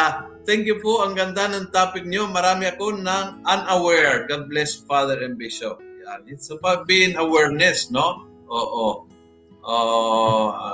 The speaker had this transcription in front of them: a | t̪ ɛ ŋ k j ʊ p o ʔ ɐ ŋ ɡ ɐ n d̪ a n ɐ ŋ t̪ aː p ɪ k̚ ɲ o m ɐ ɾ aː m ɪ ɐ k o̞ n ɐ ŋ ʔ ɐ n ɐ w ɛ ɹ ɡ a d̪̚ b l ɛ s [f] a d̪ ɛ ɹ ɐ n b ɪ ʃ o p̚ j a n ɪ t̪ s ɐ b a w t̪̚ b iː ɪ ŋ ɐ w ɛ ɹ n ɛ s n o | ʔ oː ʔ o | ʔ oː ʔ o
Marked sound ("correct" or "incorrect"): correct